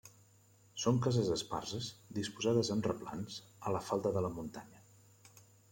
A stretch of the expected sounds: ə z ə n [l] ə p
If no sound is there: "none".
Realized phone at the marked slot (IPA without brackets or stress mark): r